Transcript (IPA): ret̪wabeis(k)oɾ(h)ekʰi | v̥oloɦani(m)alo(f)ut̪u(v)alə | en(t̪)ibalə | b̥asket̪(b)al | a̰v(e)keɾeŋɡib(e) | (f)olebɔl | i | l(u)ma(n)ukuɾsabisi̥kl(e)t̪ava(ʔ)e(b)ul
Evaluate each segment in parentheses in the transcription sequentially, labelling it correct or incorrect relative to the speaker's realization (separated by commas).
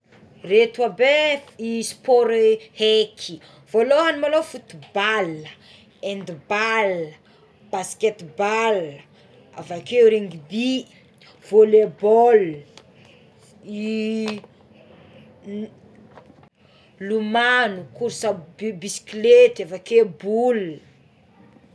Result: incorrect, correct, correct, correct, incorrect, incorrect, correct, incorrect, incorrect, incorrect, correct, correct, correct, incorrect, correct